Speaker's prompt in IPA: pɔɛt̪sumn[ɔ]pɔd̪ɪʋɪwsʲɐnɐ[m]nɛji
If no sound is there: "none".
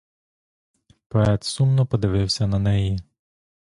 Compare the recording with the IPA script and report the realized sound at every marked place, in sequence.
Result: ɔ, none

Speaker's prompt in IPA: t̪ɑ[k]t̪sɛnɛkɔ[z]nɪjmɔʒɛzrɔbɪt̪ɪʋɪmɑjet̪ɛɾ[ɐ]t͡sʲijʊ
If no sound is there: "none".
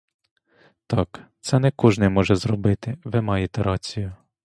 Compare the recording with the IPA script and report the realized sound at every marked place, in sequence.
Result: k, ʒ, ɑ

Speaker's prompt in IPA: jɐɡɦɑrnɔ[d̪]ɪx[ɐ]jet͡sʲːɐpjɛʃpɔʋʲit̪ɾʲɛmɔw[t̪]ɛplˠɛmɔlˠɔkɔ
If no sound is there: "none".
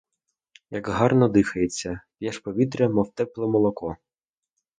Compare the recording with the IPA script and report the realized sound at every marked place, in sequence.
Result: d̪, ɐ, t̪

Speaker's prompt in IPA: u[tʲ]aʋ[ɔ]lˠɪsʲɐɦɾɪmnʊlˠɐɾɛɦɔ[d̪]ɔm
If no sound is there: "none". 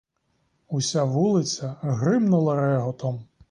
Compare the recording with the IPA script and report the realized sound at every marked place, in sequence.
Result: sʲ, u, t̪

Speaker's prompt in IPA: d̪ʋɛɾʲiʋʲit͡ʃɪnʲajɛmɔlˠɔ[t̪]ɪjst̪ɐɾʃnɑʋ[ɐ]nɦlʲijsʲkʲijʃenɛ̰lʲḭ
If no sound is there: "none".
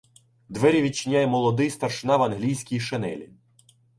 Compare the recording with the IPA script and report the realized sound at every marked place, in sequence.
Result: d̪, ɐ

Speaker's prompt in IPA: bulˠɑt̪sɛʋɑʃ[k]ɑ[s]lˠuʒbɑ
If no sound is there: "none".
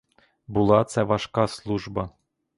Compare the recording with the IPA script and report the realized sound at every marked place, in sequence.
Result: k, s

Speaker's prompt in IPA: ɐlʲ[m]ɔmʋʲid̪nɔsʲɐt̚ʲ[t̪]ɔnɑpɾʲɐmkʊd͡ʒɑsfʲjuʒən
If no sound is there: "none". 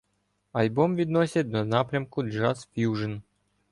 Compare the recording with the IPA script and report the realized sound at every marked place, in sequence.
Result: b, d̪

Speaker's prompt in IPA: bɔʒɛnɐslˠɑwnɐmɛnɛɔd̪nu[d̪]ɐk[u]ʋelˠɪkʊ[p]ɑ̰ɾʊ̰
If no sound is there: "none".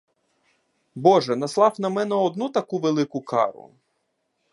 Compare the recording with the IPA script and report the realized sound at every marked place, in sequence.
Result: t̪, u, k

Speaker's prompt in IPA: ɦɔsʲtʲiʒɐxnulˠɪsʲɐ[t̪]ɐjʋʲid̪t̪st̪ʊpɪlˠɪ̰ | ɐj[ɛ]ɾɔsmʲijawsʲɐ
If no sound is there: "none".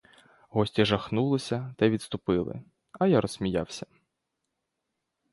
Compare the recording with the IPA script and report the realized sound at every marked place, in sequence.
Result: t̪, a

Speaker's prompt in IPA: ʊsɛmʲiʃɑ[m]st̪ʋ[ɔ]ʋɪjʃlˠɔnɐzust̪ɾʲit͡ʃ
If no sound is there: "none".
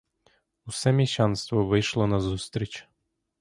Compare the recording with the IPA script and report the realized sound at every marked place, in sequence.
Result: n, ɔ

